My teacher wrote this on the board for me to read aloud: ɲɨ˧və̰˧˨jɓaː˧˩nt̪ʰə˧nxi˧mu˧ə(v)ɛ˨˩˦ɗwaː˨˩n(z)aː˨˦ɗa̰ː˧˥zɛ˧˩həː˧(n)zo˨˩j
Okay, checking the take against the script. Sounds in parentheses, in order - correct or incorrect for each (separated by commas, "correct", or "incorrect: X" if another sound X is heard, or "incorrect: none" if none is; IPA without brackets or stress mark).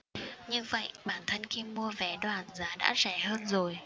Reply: correct, correct, correct